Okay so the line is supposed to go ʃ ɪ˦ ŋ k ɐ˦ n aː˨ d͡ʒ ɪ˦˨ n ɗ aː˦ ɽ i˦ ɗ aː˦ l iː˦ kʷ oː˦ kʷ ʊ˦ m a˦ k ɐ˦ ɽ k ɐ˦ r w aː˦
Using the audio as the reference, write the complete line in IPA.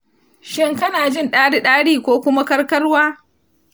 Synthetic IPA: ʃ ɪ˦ ŋ k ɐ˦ n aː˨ d͡ʒ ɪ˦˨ n ɗ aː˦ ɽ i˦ ɗ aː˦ ɽ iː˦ kʷ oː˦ kʷ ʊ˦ m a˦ k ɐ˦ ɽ k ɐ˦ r w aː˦